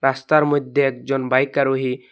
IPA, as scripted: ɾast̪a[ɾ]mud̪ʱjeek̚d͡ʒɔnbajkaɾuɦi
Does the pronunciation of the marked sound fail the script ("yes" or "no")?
no